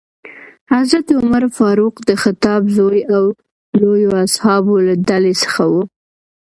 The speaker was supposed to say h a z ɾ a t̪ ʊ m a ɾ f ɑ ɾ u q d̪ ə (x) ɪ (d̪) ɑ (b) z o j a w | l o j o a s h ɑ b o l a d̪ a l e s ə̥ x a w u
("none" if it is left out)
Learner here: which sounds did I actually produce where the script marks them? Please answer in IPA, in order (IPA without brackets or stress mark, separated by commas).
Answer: x, t̪, b